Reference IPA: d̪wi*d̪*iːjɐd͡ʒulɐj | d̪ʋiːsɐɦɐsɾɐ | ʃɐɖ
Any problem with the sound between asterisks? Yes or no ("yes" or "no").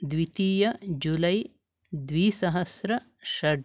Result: yes